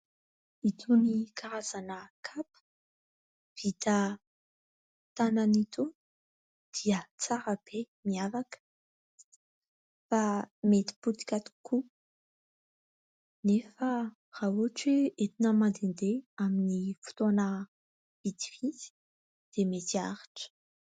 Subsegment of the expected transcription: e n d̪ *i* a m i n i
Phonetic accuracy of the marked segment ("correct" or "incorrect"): incorrect